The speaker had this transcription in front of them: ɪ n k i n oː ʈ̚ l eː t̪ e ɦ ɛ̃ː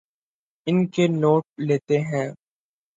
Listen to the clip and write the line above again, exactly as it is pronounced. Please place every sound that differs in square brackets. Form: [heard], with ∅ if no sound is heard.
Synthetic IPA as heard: ɪ n k [e] n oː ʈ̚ l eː t̪ e ɦ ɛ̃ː